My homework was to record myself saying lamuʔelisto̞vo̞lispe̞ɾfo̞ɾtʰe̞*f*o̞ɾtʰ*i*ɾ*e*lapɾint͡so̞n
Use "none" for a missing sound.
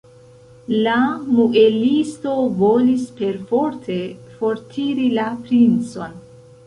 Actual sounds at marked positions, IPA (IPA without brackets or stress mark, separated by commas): f, i, i